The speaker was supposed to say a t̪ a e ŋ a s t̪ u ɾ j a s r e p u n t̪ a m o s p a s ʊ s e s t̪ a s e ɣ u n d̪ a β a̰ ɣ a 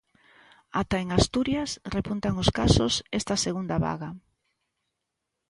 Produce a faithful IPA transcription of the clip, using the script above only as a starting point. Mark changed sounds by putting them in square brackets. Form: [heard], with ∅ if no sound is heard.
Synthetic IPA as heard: a t̪ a e ŋ a s t̪ u ɾ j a s r e p u n t̪ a [ŋ] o s [k] a s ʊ s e s t̪ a s e ɣ u n d̪ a β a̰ ɣ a

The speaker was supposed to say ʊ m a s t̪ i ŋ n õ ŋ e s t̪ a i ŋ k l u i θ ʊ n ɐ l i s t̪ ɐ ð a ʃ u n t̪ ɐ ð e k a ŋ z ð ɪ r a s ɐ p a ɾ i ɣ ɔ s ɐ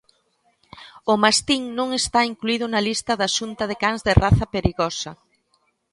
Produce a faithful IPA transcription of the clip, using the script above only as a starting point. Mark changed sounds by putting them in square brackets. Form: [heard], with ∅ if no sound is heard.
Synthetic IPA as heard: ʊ m a s t̪ i ŋ n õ ŋ e s t̪ a i ŋ k l u i [ð] ʊ n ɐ l i s t̪ ɐ ð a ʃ u n t̪ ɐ ð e k a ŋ z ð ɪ r a [θ] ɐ p [e] ɾ i ɣ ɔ s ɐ

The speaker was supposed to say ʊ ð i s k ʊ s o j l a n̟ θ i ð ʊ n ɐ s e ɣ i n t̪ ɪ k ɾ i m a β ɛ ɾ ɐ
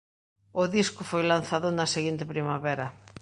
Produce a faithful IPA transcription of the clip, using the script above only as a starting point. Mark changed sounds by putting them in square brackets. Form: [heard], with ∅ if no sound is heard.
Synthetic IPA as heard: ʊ ð i s k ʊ [f] o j l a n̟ θ [a] ð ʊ n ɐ s e ɣ i n t̪ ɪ [p] ɾ i m a β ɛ ɾ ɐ

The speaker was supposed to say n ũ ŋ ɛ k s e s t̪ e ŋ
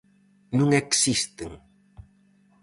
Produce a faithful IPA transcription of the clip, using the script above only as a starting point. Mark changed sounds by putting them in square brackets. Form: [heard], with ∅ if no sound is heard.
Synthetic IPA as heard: n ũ ŋ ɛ k s [i] s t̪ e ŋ

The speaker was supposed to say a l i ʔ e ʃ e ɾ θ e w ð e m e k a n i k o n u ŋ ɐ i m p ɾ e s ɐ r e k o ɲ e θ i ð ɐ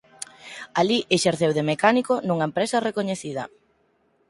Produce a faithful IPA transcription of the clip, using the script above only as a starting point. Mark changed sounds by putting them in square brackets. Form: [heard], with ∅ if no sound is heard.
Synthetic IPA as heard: a l i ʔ e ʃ e ɾ θ e w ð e m e k a n i k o n u ŋ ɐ [e] m p ɾ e s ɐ r e k o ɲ e θ i ð ɐ

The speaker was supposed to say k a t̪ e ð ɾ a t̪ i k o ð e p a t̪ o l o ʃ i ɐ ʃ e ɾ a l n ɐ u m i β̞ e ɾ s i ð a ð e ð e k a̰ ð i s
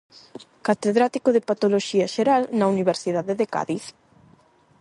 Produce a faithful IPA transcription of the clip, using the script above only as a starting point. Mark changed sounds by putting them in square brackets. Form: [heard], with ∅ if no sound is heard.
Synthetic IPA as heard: k a t̪ e ð ɾ a t̪ i k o ð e p a t̪ o l o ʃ i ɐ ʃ e ɾ a l n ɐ u [n] i β̞ e ɾ s i ð a ð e ð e k a̰ ð i [θ]

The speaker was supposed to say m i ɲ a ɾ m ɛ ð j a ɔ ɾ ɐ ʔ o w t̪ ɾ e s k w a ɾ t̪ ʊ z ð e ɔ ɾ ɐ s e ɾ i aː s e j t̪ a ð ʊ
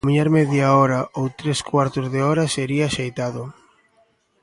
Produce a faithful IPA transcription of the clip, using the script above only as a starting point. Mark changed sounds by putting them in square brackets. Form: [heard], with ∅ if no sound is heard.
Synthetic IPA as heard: m i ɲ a ɾ m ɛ ð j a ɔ ɾ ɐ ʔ o w t̪ ɾ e s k w a ɾ t̪ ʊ z ð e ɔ ɾ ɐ s e ɾ i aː [ʃ] e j t̪ a ð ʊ

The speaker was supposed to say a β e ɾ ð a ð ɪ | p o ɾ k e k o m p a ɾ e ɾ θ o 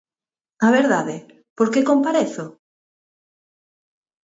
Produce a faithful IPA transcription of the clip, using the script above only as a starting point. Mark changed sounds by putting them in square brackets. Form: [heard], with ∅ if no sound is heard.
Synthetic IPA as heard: a β e ɾ ð a ð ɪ | p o ɾ k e k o m p a ɾ e [∅] θ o

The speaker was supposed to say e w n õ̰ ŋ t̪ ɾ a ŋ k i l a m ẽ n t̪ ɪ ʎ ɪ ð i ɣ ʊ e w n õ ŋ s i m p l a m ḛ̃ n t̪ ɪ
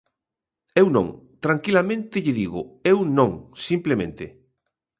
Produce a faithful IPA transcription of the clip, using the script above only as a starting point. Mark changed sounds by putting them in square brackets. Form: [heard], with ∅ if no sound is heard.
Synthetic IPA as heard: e w n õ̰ ŋ t̪ ɾ a ŋ k i l a m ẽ n t̪ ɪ ʎ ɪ ð i ɣ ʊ e w n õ ŋ s i m p l [e] m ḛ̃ n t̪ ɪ

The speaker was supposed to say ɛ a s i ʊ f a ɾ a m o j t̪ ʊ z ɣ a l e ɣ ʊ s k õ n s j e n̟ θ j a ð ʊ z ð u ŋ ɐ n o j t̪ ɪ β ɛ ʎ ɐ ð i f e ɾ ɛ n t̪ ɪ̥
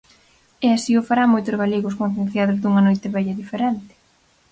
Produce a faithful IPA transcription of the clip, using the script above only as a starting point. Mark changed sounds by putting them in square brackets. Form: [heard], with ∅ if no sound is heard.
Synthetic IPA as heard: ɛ a s i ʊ f a ɾ a m o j t̪ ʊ z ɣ a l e ɣ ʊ s k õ n [θ] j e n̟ θ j a ð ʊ z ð u ŋ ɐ n o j t̪ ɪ β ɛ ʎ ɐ ð i f e ɾ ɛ n t̪ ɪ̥

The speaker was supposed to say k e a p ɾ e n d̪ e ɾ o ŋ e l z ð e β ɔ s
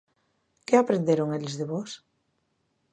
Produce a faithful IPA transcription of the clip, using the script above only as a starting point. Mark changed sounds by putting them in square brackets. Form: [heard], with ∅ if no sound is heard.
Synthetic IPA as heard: k e a p ɾ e n d̪ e ɾ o ŋ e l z ð e β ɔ s

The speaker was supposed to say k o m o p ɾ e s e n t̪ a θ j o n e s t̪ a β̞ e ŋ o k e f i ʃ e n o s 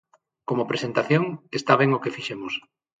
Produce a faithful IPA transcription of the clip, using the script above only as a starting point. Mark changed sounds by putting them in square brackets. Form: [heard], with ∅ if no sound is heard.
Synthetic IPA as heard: k o m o p ɾ e s e n t̪ a θ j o [ŋ] e s t̪ a β̞ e ŋ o k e f i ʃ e [m] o s

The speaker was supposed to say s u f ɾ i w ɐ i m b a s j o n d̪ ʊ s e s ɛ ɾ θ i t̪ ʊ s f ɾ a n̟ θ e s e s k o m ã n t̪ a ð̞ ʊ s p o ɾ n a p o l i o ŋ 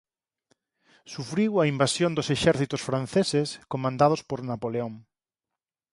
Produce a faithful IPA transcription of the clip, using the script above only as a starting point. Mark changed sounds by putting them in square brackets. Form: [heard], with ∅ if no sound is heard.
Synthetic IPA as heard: s u f ɾ i w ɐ i m b a s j o n d̪ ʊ s e [ʃ] ɛ ɾ θ i t̪ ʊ s f ɾ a n̟ θ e s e s k o m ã n [d̪] a ð̞ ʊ s p o ɾ n a p o l [e] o ŋ

